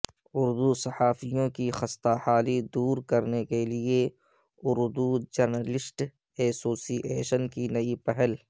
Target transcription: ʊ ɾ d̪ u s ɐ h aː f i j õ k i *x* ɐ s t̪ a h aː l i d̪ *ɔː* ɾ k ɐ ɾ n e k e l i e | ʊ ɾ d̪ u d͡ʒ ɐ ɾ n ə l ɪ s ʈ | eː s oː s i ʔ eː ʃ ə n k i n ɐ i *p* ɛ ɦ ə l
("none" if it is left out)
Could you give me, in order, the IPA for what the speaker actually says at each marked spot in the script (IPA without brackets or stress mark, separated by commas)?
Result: x, uː, p